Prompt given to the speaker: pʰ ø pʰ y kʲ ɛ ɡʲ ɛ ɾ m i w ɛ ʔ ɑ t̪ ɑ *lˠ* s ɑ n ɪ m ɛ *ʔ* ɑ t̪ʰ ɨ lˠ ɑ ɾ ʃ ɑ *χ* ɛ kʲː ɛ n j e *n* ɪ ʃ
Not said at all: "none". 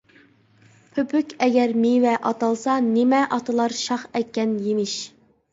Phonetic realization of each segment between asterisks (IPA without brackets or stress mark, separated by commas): lˠ, ʔ, χ, m